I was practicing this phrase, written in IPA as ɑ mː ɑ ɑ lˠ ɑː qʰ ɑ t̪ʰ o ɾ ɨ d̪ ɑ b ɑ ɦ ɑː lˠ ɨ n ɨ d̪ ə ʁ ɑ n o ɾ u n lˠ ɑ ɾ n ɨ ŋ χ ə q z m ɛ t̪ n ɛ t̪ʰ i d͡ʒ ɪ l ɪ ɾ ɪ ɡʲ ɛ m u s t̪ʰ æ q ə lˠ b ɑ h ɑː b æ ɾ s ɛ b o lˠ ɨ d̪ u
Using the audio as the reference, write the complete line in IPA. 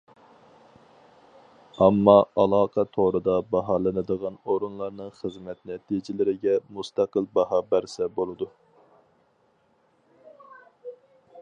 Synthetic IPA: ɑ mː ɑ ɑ lˠ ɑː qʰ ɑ t̪ʰ o ɾ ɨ d̪ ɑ b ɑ ɦ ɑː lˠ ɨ n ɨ d̪ ə ʁ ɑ n o ɾ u n lˠ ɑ ɾ n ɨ ŋ χ ə z m ɛ t̪ n ɛ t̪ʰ i d͡ʒ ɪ l ɪ ɾ ɪ ɡʲ ɛ m u s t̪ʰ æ q ə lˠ b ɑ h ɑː b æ ɾ s ɛ b o lˠ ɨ d̪ u